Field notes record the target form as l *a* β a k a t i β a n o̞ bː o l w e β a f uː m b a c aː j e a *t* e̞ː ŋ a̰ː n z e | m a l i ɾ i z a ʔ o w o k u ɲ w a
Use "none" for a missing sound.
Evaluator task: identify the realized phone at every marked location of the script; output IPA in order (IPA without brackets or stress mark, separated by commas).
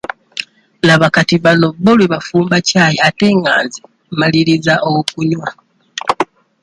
a, t